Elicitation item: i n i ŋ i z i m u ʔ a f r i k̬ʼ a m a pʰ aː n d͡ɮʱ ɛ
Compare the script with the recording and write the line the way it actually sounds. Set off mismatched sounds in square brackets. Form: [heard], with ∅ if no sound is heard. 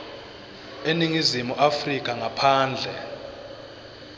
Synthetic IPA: [e] n i ŋ i z i m u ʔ a f r i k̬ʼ a [ŋ] a pʰ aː n d͡ɮʱ ɛ